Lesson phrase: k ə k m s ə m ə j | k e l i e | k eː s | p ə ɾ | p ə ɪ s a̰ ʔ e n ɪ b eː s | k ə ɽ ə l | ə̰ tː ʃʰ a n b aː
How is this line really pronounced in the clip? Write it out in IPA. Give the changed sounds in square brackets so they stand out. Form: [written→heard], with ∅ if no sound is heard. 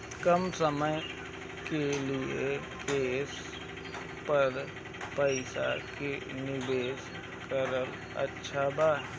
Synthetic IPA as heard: k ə [k→∅] m s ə m ə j | k e l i e | k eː s | p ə ɾ | p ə ɪ s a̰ [ʔ→k] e n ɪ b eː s | k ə [ɽ→ɾ] ə l | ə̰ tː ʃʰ a [n→∅] b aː